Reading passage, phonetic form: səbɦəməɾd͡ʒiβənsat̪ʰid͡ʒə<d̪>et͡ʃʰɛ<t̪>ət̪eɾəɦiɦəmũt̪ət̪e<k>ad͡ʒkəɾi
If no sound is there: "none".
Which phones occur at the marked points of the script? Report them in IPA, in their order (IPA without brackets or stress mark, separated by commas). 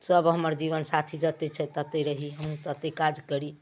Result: t̪, t̪, k